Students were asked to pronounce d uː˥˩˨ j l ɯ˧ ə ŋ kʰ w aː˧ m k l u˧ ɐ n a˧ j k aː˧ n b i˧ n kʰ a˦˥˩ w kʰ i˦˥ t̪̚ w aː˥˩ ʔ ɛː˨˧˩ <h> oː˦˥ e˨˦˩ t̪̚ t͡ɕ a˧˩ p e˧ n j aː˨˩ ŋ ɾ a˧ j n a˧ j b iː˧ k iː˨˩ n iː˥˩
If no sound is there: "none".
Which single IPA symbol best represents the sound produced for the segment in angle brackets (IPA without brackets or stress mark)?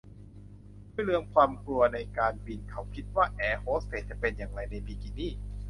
h